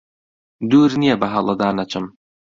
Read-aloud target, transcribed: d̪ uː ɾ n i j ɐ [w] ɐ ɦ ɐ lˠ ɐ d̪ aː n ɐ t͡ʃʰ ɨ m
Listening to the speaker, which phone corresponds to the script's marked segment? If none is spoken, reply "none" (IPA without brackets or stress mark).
b